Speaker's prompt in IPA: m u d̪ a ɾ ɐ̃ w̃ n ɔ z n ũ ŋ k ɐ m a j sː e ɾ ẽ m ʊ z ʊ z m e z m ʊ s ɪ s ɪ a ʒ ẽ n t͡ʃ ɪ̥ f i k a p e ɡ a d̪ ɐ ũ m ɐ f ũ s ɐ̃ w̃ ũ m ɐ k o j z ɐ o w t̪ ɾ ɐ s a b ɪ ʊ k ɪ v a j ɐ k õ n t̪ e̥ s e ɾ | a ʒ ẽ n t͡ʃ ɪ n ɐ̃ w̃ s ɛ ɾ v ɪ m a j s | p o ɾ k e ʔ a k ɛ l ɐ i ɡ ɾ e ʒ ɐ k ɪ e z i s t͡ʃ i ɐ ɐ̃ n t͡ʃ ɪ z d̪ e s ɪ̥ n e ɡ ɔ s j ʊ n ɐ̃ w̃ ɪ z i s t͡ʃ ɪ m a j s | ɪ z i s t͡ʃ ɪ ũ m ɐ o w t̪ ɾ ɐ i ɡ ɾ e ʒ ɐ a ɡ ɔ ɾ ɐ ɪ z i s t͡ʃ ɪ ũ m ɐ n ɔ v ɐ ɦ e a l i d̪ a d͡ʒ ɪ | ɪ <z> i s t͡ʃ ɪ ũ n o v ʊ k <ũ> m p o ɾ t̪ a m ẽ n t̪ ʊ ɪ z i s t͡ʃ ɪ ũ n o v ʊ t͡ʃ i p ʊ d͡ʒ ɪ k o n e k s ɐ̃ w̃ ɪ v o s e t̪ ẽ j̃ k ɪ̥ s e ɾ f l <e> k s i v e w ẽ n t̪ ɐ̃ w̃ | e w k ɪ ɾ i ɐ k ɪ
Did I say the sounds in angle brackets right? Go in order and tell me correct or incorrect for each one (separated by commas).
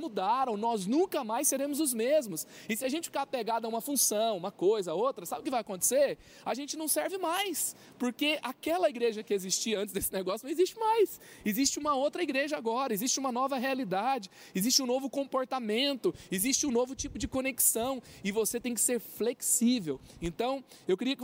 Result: correct, incorrect, correct